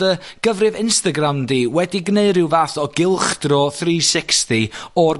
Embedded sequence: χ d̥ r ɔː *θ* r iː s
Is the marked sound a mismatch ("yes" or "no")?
no